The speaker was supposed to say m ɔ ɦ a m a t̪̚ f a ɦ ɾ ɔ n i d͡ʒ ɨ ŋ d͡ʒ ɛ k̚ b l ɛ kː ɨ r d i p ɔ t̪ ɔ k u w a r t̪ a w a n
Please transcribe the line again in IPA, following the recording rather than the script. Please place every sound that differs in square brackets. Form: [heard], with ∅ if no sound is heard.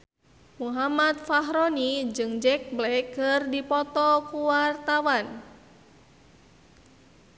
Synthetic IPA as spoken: m [u] ɦ a m a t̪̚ f a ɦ ɾ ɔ n i d͡ʒ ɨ ŋ d͡ʒ ɛ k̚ b l ɛ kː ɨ r d i p ɔ t̪ ɔ k u w a r t̪ a w a n

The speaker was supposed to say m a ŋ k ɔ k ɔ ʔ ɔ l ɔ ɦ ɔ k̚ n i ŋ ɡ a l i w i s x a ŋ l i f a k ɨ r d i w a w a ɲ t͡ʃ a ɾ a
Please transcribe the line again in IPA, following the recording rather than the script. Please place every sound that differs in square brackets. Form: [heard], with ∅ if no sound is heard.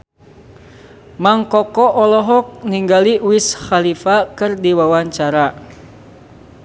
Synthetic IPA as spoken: m a ŋ k ɔ k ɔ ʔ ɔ l ɔ ɦ ɔ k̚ n i ŋ ɡ a l i w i s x a [∅] l i f a k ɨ r d i w a w a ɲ t͡ʃ a ɾ a

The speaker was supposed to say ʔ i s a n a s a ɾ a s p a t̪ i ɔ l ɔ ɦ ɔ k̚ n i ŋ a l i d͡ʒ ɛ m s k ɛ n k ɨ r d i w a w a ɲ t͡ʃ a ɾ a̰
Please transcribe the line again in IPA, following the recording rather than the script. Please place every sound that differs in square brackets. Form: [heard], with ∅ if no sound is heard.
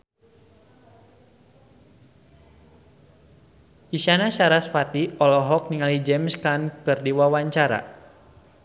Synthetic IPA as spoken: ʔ i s a n a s a ɾ a s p a t̪ i ɔ l ɔ ɦ ɔ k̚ n i ŋ a l i d͡ʒ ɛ m s k [a] n k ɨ r d i w a w a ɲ t͡ʃ a ɾ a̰

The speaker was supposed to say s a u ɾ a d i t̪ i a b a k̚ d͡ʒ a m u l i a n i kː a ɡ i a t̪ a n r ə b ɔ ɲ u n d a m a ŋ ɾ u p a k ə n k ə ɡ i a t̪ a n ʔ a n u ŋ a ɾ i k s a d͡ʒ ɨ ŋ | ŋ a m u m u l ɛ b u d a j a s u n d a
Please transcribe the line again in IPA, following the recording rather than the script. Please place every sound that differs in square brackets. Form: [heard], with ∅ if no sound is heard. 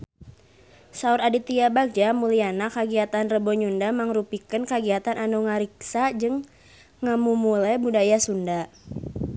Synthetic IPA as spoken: s a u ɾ a d i t̪ i a b a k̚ d͡ʒ a m u l i a n [a] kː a ɡ i a t̪ a n r ə b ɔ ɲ u n d a m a ŋ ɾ u p [i] k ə n k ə ɡ i a t̪ a n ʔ a n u ŋ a ɾ i k s a d͡ʒ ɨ ŋ | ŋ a m u m u l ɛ b u d a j a s u n d a

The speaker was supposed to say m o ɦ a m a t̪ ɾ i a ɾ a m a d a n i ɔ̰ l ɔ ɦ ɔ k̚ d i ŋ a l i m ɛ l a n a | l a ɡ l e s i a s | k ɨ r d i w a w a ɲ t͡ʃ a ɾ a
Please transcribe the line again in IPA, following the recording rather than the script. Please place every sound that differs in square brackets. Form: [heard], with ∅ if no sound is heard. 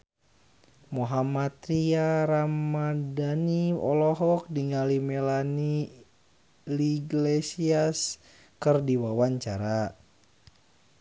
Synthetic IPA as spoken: m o ɦ a m a t̪ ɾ i a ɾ a m a d a n i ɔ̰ l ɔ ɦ ɔ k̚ d i ŋ a l i m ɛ l a n [i] | l [i] ɡ l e s i a s | k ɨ r d i w a w a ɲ t͡ʃ a ɾ a

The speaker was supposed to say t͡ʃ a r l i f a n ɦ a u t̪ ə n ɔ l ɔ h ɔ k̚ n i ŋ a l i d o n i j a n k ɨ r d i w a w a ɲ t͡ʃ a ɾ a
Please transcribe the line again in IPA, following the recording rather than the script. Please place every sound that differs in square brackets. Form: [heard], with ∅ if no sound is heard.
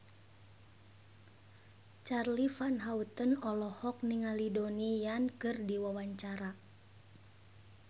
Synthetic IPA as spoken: t͡ʃ a r l i f a n ɦ a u t̪ ə n ɔ l ɔ h ɔ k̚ n i ŋ a l i d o n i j a n k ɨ r d i w a w a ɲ t͡ʃ a ɾ a

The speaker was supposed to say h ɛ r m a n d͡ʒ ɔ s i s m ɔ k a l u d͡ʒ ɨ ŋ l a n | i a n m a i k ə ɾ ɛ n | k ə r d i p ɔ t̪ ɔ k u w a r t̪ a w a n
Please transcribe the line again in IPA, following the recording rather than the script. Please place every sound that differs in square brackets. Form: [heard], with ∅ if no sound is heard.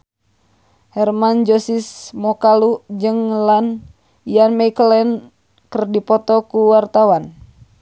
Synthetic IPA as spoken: h ɛ r m a n d͡ʒ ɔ s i s m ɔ k a l u d͡ʒ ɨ ŋ l a n | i a n m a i k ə [l] ɛ n | k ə r d i p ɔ t̪ ɔ k u w a r t̪ a w a n

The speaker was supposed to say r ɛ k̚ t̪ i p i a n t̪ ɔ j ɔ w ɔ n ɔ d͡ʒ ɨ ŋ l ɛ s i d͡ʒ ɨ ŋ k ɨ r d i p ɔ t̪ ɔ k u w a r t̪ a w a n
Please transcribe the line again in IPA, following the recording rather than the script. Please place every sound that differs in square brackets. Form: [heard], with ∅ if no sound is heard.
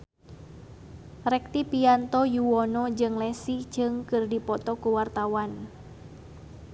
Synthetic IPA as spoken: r ɛ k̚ t̪ i p i a n t̪ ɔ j [u] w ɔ n ɔ d͡ʒ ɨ ŋ l ɛ s i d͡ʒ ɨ ŋ k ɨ r d i p ɔ t̪ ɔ k u w a r t̪ a w a n

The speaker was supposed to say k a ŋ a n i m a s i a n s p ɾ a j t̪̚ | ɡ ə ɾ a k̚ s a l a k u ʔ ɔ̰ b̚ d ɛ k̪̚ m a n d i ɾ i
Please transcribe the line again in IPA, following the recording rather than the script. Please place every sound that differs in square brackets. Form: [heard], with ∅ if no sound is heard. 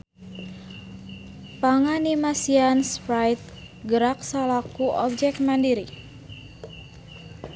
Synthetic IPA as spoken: [p] a ŋ a n i m a s i a n s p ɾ a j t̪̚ | ɡ ə ɾ a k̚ s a l a k u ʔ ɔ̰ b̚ [d͡ʒ] ɛ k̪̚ m a n d i ɾ i

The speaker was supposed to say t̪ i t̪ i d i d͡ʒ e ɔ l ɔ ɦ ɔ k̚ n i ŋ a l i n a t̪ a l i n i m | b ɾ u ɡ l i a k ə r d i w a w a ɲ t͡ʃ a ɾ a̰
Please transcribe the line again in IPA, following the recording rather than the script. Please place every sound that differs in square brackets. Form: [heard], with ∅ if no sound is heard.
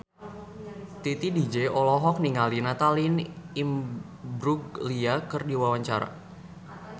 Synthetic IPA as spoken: t̪ i t̪ i d i d͡ʒ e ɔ l ɔ ɦ ɔ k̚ n i ŋ a l i n a t̪ a l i n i m | b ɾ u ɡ l i a k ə r d i w a w a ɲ t͡ʃ a ɾ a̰

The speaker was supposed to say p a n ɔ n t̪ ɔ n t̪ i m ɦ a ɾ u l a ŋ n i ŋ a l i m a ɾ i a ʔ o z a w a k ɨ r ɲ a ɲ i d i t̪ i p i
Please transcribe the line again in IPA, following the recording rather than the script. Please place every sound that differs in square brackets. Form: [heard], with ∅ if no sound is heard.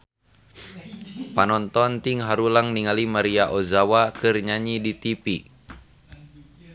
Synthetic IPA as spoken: p a n ɔ n t̪ ɔ n t̪ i [ŋ] ɦ a ɾ u l a ŋ n i ŋ a l i m a ɾ i a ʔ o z a w a k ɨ r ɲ a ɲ i d i t̪ i p i

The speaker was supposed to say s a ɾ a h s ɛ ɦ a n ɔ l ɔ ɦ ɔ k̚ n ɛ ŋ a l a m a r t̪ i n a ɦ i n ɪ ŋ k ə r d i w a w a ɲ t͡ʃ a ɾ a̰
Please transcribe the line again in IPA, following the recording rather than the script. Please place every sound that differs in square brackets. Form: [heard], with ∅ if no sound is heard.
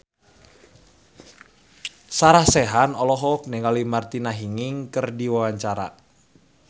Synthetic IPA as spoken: s a ɾ a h s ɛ ɦ a n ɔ l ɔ ɦ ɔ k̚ n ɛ ŋ a l [i] m a r t̪ i n a ɦ i [ŋ] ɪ ŋ k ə r d i w a w a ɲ t͡ʃ a ɾ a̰

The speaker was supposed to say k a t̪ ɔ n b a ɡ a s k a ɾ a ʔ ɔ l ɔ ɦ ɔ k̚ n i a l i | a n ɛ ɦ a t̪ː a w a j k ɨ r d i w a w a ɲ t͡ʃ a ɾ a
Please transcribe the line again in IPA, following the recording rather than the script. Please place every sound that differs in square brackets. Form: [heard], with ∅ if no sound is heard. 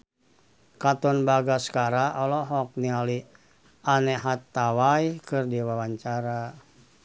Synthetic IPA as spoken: k a t̪ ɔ n b a ɡ a s k a ɾ a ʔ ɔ l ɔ ɦ ɔ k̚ n i a l i | a n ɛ ɦ a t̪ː a w a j k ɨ r d i w a w a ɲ t͡ʃ a ɾ a

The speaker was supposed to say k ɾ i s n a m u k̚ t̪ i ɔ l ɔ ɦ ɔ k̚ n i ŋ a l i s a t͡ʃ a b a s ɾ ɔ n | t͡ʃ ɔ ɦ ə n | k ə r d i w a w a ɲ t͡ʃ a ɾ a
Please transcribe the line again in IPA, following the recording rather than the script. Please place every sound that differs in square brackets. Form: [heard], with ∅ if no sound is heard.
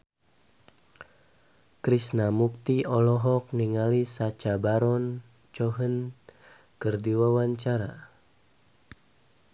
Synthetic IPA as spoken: k ɾ i s n a m u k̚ t̪ i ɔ l ɔ ɦ ɔ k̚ n i ŋ a l i s a t͡ʃ a b a [∅] ɾ ɔ n | t͡ʃ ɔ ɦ ə n | k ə r d i w a w a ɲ t͡ʃ a ɾ a

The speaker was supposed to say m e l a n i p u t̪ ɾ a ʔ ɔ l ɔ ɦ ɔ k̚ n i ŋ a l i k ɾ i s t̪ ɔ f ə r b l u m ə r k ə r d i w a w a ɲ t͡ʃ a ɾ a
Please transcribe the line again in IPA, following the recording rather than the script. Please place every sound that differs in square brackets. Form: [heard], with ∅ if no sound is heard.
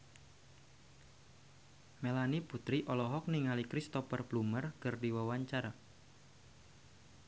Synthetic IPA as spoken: m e l a n i p u t̪ ɾ [i] ʔ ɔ l ɔ ɦ ɔ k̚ n i ŋ a l i k ɾ i s t̪ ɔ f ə r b l u m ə r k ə r d i w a w a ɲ t͡ʃ a ɾ a

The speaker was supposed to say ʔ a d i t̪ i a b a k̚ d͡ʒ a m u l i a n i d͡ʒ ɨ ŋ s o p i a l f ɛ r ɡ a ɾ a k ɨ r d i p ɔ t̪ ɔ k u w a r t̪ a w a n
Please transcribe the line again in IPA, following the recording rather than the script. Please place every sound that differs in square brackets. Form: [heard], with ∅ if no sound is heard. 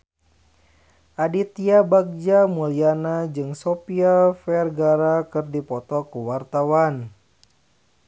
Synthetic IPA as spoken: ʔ a d i t̪ i a b a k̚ d͡ʒ a m u l i a n [a] d͡ʒ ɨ ŋ s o p i a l f ɛ r ɡ a ɾ a k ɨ r d i p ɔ t̪ ɔ k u w a r t̪ a w a n

